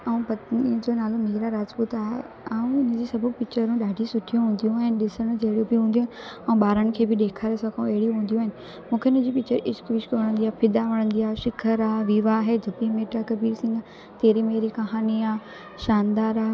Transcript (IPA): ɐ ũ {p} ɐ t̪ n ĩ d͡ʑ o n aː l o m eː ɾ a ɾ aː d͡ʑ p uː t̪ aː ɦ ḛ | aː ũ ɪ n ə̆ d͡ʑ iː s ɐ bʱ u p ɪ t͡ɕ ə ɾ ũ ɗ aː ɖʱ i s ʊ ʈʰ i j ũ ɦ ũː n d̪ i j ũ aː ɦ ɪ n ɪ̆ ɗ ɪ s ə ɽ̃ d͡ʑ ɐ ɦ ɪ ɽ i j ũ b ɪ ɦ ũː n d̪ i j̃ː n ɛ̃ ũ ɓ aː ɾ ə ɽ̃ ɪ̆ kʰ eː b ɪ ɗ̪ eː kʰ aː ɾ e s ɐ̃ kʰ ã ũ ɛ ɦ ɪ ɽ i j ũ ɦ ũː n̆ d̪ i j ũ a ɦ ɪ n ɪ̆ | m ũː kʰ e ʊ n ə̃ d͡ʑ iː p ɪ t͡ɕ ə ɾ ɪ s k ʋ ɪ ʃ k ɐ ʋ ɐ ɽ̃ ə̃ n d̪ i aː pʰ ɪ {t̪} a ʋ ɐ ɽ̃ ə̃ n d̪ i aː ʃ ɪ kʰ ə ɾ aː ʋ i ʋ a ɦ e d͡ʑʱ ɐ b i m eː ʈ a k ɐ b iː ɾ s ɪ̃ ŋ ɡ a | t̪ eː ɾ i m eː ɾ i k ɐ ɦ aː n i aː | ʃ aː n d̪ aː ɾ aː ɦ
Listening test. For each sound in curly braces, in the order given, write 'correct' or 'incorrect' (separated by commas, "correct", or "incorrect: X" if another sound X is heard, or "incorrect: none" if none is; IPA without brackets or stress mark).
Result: correct, incorrect: d̪